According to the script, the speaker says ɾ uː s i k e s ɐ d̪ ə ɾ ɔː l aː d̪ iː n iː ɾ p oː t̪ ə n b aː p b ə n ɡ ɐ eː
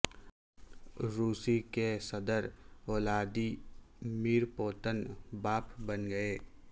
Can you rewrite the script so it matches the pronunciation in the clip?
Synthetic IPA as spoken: ɾ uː s i k e s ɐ d̪ ə ɾ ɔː l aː d̪ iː m iː ɾ p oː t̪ ə n b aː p b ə n ɡ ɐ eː